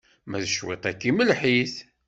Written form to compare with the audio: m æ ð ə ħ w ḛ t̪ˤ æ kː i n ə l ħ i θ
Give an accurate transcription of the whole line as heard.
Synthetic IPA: m æ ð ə ʃ w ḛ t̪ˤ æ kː i m ə l ħ i θ